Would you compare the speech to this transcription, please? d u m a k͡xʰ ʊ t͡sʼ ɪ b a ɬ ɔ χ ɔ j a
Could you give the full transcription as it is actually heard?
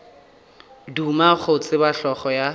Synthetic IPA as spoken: d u m a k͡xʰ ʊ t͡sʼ ɪ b a ɬ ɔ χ ɔ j a

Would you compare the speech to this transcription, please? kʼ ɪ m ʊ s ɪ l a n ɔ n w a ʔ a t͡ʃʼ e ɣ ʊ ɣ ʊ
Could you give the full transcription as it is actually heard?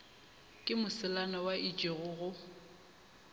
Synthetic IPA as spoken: kʼ ɪ m ʊ s ɪ l a n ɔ w a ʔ i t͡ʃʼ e ɣ ʊ ɣ ʊ

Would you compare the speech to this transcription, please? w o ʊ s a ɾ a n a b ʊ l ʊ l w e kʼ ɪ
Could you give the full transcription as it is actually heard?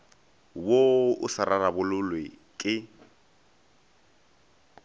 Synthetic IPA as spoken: w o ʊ s a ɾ a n a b ʊ l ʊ l w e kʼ ɪ

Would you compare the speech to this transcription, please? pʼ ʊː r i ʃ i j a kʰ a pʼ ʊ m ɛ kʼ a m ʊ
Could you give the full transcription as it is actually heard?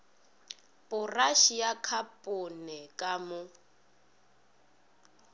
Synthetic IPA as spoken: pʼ ʊ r a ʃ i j a kʰ a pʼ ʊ n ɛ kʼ a m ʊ

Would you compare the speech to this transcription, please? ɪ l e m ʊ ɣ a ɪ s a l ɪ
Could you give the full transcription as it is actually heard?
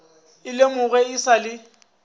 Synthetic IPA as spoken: ɪ l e m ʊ ɣ ɛ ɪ s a l ɪ

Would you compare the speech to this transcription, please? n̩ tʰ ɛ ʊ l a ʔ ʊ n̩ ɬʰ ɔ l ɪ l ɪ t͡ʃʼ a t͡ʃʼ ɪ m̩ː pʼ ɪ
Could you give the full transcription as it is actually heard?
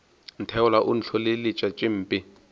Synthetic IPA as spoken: n̩ tʰ ɛ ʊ l a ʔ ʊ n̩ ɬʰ ɔ l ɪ l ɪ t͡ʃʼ a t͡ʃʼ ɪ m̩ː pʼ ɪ

